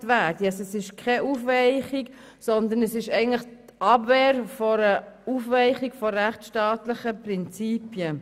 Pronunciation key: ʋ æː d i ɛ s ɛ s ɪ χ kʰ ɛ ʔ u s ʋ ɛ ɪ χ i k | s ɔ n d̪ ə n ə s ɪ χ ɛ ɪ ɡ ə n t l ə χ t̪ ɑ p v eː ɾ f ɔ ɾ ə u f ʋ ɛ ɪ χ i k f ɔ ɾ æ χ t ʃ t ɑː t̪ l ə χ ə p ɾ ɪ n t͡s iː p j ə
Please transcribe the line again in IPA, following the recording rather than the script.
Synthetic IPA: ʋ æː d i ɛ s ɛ s ɪ ʃ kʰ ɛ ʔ u f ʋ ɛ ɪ χ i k | s ɔ n d̪ ə n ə s ɪ ʃ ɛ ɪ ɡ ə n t l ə χ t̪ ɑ b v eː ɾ f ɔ ɾ ə u f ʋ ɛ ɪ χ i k f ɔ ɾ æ χ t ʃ t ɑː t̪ l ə χ ə p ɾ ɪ n t͡s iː p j ə